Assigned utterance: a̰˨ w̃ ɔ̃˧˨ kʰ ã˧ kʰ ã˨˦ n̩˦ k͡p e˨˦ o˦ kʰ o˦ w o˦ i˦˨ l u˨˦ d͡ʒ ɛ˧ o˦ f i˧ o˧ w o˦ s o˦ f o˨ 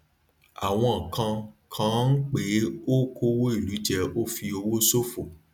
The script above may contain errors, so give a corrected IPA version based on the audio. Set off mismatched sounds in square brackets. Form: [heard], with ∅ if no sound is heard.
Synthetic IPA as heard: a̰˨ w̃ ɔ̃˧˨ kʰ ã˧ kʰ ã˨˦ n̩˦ k͡p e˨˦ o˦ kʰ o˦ w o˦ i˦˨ l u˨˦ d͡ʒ ɛ˧ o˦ f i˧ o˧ w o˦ s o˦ f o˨